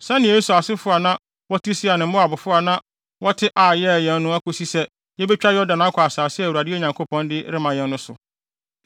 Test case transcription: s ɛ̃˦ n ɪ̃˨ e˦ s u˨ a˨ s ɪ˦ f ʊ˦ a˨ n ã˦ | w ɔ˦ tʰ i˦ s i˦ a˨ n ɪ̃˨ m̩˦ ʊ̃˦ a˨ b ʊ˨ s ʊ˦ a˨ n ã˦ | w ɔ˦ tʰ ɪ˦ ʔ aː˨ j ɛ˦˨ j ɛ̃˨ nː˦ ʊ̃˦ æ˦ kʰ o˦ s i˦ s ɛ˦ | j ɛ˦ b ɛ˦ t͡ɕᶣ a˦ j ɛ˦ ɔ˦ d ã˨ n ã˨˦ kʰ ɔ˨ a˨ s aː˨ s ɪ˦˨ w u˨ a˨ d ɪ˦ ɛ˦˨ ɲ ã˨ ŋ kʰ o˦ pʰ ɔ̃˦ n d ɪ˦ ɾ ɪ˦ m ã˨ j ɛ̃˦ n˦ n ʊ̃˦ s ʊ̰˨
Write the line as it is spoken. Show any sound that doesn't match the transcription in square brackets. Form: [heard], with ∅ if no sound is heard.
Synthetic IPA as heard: s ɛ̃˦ n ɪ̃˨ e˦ s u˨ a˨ s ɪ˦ f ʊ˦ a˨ n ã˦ | w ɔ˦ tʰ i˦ s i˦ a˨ n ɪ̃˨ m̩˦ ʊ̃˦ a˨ b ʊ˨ [f] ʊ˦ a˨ n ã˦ | w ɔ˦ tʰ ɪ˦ ʔ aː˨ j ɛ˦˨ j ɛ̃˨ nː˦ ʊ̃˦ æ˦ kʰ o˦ s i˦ s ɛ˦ | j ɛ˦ b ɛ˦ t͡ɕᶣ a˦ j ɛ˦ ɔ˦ d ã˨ n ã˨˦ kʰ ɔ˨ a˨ s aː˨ s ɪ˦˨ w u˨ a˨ d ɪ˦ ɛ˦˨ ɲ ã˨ ŋ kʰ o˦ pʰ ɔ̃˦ n d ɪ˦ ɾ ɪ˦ m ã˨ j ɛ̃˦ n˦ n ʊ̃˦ s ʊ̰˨